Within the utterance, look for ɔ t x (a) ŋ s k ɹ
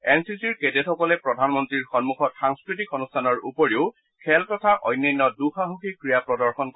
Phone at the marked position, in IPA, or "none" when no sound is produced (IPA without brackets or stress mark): a